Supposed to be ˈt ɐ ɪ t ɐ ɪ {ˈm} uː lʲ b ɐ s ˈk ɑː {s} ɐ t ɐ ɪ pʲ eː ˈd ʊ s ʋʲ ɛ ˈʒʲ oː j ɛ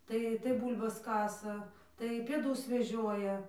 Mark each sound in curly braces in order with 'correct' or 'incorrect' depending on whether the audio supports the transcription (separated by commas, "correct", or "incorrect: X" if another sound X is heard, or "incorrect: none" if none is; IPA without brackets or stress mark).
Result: incorrect: b, correct